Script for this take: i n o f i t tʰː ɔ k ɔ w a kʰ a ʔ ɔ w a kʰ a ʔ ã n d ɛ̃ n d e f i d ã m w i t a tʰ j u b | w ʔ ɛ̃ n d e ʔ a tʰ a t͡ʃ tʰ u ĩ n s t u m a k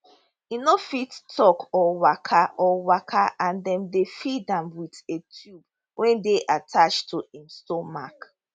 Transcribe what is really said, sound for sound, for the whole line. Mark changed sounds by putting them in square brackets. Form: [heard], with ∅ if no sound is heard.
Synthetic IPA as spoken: i n o f i t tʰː ɔ k ɔ w a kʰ a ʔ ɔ w a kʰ a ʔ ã n d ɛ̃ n d e f i d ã m w i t [e] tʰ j u b | w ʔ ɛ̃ n d e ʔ a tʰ a t͡ʃ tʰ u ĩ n s t [ɔ] m a k